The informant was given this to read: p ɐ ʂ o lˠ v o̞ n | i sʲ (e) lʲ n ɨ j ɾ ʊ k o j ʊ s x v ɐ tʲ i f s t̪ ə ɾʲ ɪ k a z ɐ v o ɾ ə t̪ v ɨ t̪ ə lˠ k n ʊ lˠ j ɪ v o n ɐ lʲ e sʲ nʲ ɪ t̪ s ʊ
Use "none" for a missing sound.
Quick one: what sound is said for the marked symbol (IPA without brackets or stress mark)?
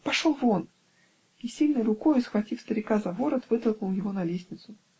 i